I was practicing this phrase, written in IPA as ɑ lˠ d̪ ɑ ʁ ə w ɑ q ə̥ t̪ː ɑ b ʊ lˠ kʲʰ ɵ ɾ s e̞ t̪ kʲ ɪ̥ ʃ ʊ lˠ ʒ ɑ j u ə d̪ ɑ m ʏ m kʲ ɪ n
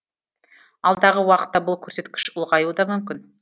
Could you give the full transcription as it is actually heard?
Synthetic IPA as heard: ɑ lˠ d̪ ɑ ʁ ə w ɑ q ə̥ t̪ː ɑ b ʊ lˠ kʲʰ ɵ ɾ s e̞ t̪ kʲ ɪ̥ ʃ ʊ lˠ ʁ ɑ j u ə d̪ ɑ m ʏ m kʲ ɪ n